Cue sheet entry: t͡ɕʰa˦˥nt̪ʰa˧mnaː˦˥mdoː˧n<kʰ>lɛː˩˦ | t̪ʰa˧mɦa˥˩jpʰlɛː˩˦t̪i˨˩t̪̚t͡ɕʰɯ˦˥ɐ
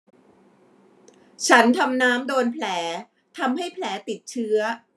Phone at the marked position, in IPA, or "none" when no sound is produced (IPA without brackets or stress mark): pʰ